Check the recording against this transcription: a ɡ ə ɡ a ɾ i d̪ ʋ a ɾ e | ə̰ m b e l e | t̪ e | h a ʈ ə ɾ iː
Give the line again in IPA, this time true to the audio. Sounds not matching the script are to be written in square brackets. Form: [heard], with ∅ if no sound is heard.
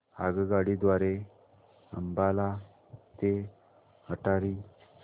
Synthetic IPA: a ɡ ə ɡ a [ɽ] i d̪ ʋ a ɾ e | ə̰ m b [a] l [a] | t̪ e | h [ə] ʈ [a] ɾ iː